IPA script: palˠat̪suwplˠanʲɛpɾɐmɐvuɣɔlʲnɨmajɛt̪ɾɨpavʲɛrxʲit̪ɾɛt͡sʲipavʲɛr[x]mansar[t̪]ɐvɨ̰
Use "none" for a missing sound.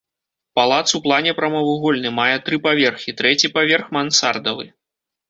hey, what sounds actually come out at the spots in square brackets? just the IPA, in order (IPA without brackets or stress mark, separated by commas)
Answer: x, d̪